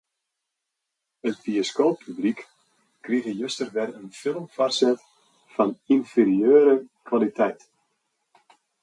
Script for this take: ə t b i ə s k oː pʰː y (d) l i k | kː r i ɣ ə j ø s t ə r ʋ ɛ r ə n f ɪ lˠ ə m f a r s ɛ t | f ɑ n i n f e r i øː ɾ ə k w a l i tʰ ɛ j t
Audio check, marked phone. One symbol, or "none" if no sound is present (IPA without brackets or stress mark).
b